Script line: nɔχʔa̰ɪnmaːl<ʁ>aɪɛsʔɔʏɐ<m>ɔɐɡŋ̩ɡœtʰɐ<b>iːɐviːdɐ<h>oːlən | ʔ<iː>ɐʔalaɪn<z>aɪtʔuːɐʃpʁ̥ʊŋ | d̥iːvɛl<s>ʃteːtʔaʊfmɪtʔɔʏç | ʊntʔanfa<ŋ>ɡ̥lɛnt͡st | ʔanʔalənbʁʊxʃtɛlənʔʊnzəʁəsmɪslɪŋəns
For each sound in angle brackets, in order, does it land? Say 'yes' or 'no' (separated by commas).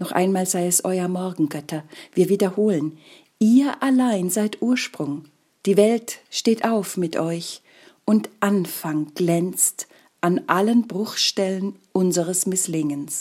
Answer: no, yes, no, yes, yes, yes, no, yes